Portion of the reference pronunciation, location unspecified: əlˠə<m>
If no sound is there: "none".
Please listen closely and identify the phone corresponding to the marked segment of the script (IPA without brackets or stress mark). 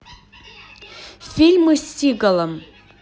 m